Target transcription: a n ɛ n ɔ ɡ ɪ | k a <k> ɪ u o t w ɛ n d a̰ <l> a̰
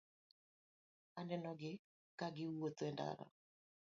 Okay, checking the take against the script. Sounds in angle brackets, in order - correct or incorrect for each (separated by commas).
incorrect, incorrect